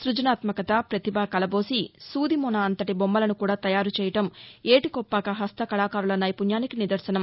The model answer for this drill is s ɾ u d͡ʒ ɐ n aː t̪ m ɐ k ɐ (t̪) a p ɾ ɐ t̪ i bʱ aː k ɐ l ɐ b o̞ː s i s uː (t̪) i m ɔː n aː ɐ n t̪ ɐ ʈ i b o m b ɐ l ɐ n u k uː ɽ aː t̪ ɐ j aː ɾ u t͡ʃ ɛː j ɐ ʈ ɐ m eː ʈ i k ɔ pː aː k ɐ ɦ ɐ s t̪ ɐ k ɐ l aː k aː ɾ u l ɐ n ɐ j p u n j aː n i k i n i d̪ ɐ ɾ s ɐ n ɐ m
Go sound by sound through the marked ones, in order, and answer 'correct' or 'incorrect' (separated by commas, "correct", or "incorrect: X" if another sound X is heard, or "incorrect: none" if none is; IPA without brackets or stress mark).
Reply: correct, incorrect: d̪